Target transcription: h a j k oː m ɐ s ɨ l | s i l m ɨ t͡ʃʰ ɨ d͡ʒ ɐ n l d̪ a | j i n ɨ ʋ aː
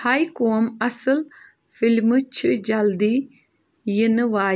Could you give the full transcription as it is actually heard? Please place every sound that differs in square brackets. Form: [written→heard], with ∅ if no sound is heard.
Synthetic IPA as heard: h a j k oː m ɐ s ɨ l | [s→f] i l m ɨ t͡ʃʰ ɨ d͡ʒ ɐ [n→∅] l d̪ [a→i] | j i n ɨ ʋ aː